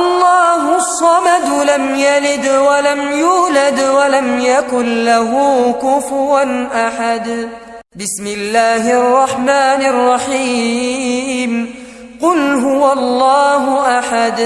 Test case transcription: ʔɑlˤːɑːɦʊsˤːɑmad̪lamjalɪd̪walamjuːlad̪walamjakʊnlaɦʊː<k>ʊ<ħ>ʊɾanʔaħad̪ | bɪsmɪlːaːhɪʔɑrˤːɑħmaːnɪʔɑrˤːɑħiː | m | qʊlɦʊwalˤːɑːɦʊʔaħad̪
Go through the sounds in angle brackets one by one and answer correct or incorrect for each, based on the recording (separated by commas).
correct, incorrect